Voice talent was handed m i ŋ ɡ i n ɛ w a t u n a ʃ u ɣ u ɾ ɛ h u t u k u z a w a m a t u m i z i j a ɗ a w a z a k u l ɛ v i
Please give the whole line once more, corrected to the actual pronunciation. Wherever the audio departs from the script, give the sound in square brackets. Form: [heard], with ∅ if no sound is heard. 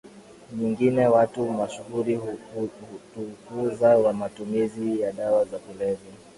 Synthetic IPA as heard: [ɲ] i ŋ ɡ i n ɛ w a t u [m] a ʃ u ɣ u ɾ [i] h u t u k u z a w a m a t u m i z i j a ɗ a w a z a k u l ɛ v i